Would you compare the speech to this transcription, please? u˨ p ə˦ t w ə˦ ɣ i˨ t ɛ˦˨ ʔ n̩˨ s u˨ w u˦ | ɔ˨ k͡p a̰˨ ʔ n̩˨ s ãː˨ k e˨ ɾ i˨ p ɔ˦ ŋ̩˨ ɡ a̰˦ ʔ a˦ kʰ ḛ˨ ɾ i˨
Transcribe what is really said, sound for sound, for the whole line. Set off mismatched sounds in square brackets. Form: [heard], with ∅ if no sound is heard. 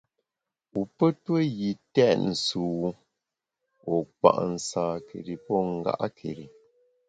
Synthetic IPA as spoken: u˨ p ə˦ t w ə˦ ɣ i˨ t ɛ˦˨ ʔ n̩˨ s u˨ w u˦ | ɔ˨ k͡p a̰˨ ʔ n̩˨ s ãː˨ k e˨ ɾ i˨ p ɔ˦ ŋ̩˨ ɡ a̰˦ ʔ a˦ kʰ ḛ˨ ɾ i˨